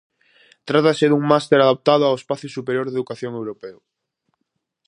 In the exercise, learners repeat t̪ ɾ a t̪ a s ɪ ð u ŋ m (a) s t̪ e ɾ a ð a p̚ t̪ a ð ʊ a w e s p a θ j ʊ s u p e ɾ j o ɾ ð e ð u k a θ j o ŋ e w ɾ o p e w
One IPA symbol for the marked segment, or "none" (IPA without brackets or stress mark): a